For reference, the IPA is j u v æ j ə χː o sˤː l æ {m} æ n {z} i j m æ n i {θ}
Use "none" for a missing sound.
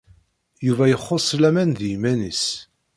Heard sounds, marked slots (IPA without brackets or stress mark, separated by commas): m, ð, s